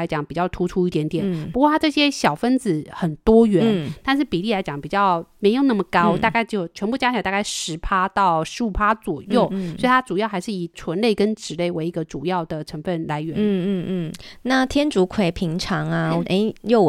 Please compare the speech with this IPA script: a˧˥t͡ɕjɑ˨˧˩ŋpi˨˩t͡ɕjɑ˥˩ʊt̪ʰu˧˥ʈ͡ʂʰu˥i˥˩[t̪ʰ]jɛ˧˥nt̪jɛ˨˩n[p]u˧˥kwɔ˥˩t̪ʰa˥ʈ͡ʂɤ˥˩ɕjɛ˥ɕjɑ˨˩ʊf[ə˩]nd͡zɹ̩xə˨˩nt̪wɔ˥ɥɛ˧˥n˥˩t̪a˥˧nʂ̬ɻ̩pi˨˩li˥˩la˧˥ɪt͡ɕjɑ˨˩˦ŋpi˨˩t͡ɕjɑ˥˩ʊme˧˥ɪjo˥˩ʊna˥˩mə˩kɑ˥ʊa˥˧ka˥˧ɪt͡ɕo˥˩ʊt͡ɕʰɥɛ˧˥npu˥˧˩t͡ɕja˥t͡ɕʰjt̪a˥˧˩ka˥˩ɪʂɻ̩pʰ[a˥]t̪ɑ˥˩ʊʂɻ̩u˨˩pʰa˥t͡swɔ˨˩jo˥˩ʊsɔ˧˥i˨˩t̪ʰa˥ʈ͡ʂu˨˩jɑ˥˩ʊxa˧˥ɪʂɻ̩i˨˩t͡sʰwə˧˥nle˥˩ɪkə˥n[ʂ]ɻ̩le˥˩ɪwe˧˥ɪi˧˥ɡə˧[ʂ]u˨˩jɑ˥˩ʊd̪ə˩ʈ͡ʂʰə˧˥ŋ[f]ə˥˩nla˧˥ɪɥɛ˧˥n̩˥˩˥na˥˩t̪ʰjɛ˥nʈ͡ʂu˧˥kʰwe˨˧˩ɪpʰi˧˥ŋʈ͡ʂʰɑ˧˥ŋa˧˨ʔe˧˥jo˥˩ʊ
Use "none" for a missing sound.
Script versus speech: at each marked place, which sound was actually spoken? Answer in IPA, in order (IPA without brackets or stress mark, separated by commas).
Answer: t̪, p, ə˥, a˥, ʈ͡ʂ, ʈ͡ʂ, f